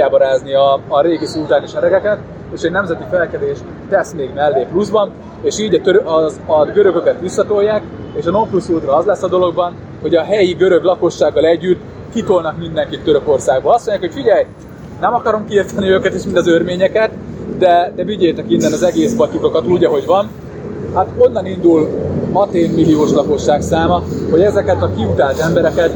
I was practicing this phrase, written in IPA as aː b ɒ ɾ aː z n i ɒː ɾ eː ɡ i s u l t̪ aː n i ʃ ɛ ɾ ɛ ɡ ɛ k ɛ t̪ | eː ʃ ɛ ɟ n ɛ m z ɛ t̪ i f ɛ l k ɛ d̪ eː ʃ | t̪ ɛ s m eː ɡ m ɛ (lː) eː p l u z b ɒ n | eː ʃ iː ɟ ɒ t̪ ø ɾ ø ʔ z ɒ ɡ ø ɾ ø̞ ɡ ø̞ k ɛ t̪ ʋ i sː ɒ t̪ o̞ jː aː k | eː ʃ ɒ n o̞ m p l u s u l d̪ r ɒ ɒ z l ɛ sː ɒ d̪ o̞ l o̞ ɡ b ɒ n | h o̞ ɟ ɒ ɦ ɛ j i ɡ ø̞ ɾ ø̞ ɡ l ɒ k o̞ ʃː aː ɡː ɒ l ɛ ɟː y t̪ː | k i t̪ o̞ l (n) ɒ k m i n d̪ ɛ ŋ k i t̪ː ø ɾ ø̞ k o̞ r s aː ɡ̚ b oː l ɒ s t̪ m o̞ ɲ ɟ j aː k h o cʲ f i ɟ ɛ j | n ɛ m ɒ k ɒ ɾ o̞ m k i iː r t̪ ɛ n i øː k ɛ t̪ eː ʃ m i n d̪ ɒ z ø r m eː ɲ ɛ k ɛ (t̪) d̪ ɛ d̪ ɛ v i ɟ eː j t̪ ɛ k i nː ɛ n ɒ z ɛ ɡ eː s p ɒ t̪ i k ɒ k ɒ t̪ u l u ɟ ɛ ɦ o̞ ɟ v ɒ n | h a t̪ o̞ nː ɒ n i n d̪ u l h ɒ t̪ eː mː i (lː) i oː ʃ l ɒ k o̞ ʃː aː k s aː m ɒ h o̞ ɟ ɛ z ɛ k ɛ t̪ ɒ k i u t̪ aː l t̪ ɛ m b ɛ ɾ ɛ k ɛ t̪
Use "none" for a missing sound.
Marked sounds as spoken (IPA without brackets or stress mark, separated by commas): lː, n, t̪, l